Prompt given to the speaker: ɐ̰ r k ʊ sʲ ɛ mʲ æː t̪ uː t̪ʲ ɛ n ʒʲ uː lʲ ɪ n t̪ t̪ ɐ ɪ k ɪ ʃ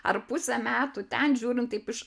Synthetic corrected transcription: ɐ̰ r p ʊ sʲ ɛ mʲ æː t̪ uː t̪ʲ ɛ n ʒʲ uː ɾʲ ɪ n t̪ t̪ ɐ ɪ p ɪ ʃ